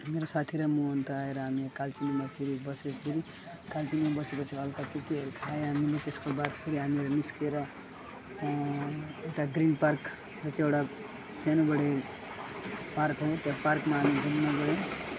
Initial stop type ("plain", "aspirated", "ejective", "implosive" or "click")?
aspirated